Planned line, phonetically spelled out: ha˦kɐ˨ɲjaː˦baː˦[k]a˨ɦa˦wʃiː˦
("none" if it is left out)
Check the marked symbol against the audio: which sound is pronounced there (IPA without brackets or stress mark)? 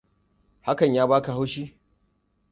k